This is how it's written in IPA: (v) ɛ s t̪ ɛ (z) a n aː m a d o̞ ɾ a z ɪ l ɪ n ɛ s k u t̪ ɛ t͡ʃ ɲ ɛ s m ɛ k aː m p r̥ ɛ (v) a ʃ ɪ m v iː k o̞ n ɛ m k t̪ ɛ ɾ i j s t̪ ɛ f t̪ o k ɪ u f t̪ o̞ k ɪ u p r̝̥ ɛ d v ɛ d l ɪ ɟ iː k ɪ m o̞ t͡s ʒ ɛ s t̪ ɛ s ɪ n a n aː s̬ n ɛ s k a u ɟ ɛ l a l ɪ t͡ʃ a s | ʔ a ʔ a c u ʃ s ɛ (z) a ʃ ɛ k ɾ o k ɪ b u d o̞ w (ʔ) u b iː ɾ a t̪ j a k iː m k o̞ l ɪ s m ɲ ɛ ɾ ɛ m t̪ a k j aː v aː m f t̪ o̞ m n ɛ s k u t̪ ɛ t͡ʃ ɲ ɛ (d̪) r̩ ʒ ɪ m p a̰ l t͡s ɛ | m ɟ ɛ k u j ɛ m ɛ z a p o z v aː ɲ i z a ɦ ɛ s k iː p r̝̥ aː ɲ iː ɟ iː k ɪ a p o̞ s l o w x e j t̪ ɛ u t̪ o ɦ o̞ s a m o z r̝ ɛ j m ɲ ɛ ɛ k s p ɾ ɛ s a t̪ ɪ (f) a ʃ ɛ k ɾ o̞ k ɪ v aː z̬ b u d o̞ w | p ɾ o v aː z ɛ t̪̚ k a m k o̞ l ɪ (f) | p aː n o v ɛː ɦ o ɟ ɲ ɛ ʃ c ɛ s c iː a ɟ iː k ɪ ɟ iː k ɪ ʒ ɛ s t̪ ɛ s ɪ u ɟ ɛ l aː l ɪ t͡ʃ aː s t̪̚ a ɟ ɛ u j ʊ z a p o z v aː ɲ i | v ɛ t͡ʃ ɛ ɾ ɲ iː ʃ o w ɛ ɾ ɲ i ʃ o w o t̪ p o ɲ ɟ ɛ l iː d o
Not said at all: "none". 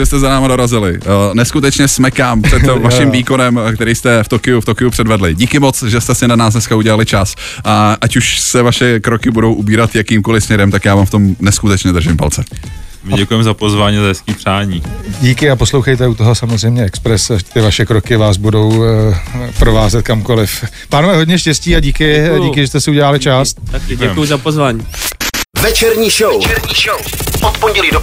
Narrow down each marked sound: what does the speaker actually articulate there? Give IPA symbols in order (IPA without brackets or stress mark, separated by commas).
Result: ʒ, z, v, v, ʔ, d̪, v, f